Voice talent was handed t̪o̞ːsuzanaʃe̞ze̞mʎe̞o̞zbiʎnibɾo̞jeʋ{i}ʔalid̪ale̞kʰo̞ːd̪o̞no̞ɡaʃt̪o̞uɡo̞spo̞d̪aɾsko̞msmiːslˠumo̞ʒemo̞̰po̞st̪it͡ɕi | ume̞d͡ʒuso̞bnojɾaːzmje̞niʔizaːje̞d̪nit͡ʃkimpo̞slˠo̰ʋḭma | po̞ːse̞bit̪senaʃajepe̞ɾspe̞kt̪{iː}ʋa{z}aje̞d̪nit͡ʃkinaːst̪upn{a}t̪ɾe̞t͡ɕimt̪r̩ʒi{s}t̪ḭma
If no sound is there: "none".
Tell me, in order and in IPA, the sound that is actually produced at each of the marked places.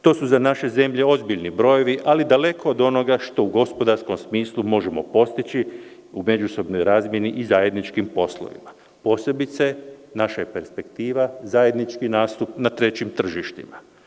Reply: i, iː, z, a, ʃ

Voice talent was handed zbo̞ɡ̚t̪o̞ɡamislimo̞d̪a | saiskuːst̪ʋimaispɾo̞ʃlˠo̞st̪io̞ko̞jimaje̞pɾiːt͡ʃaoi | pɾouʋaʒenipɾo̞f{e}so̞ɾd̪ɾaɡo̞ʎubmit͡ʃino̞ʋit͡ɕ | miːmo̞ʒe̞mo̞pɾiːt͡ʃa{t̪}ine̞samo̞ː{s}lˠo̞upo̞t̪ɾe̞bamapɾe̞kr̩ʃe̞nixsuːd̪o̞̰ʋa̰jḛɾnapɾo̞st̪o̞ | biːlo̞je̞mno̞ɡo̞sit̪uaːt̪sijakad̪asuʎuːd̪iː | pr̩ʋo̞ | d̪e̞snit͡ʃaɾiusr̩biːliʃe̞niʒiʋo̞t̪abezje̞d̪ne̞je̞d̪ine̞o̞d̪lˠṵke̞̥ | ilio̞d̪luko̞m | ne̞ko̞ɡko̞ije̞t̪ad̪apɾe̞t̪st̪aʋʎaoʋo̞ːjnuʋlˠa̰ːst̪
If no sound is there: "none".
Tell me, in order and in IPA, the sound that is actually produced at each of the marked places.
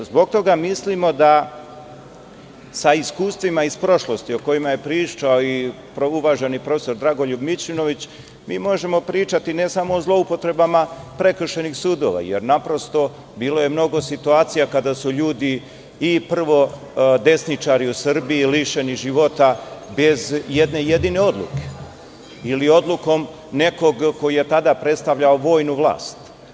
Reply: e, t̪, z

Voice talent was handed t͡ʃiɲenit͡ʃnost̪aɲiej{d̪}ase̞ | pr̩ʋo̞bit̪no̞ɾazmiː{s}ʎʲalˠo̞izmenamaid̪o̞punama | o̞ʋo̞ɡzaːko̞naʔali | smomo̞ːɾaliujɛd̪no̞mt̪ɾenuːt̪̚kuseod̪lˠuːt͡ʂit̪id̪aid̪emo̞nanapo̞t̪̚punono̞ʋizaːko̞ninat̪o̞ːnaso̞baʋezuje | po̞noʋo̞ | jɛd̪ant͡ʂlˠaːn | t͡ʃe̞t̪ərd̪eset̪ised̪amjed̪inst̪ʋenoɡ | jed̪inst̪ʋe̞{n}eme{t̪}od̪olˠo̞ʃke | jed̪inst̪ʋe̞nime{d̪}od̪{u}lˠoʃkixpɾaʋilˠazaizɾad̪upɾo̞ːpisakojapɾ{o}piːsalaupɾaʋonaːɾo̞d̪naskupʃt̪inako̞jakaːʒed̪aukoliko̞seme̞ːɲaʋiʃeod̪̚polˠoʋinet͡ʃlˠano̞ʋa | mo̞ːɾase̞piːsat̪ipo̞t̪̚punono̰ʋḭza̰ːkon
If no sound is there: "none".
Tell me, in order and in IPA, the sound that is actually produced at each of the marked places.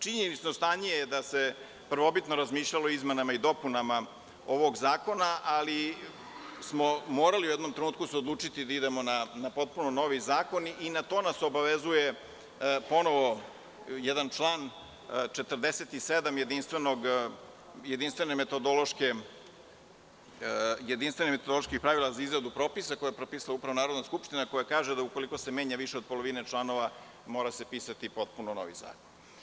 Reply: d̪, ʃ, n, t̪, t̪, o, o

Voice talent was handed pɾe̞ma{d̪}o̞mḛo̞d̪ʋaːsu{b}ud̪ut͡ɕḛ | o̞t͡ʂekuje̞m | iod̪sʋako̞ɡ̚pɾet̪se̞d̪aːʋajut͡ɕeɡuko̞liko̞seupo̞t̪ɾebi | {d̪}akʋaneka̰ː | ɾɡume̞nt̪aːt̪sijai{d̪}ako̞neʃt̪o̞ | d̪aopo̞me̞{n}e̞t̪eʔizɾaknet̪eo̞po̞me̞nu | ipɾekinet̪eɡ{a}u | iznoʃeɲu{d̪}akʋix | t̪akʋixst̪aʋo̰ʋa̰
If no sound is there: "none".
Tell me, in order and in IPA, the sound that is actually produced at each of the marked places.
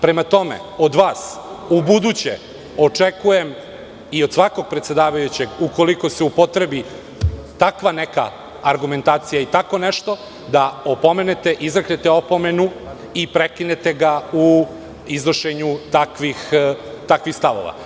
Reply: t̪, b, t̪, t̪, n, a, t̪

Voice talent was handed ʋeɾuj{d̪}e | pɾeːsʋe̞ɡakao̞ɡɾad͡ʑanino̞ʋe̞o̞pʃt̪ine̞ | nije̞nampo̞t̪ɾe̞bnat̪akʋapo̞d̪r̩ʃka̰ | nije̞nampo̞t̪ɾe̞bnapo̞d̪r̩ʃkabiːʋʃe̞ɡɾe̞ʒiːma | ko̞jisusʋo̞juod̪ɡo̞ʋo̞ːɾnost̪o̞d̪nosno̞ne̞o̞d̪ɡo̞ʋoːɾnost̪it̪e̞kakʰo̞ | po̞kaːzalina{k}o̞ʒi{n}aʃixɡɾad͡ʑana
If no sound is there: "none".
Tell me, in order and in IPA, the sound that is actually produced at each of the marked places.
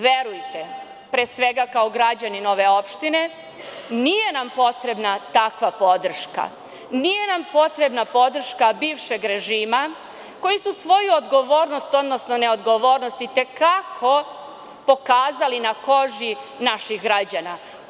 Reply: t̪, k, n

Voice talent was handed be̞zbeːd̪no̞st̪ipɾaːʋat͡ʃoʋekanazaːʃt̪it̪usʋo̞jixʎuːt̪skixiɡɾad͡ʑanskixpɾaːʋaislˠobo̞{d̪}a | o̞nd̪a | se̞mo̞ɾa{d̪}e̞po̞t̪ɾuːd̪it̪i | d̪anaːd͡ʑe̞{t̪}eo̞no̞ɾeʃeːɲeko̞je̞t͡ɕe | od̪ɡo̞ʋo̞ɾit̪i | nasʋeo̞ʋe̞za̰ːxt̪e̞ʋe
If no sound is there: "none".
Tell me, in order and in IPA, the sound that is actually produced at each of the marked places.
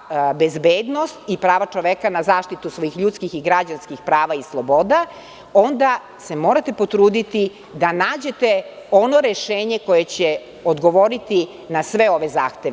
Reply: d̪, t̪, t̪

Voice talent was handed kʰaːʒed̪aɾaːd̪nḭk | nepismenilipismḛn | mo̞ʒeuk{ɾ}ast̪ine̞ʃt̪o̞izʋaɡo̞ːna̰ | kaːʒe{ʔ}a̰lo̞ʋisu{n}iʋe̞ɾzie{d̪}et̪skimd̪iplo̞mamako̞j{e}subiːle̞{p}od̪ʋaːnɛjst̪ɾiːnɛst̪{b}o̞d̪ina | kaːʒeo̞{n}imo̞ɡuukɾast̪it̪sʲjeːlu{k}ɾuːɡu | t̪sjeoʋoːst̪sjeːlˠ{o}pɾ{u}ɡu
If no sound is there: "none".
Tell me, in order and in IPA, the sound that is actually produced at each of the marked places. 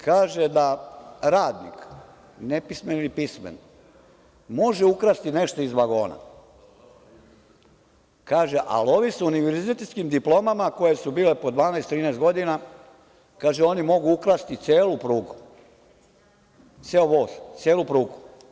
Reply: ɾ, ʔ, n, t̪, e, p, ɡ, n, p, u, uː

